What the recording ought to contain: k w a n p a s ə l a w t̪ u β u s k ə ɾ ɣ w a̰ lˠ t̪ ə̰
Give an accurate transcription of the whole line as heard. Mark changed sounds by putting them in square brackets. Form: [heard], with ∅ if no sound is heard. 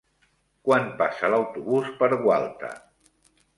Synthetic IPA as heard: k w a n p a s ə l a w t̪ u β u s [p] ə ɾ ɣ w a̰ lˠ t̪ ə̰